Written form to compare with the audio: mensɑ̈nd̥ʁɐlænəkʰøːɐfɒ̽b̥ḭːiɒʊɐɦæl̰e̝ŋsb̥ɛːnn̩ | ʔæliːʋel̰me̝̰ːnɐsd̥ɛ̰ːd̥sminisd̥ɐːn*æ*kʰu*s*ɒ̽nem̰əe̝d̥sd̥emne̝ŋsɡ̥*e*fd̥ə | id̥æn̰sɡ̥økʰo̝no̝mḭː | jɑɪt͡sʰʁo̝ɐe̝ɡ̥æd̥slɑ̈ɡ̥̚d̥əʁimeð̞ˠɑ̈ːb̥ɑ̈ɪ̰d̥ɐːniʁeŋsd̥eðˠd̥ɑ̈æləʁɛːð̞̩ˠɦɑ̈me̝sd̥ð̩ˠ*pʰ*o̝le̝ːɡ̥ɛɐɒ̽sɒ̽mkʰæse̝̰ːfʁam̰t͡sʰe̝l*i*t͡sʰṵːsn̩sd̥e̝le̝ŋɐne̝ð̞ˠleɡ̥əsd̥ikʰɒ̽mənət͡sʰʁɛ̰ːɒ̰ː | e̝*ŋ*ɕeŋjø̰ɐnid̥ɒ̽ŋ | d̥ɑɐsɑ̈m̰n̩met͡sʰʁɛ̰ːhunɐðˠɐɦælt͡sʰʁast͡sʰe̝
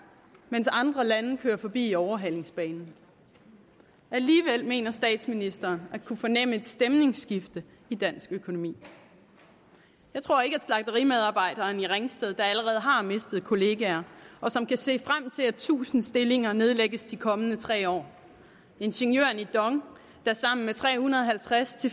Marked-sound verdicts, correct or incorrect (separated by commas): correct, incorrect, incorrect, incorrect, incorrect, incorrect